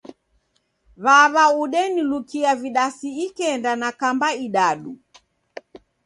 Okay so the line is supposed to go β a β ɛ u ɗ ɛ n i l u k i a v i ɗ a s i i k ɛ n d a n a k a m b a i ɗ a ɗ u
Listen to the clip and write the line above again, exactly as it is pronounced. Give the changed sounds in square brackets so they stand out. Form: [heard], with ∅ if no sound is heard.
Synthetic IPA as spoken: β a β [a] u ɗ ɛ n i l u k i a v i ɗ a s i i k ɛ n d a n a k a m b a i ɗ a ɗ u